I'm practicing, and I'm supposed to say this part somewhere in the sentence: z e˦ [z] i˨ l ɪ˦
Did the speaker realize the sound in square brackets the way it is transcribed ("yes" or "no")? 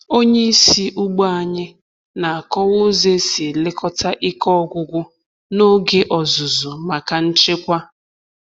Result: no